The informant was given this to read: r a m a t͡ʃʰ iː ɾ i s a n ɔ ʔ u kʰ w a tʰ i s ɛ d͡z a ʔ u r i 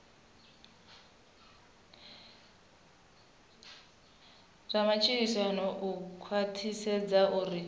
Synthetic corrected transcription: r a m a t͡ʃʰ i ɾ i s a n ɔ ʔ u kʰ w a tʰ i s ɛ d͡z a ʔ u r i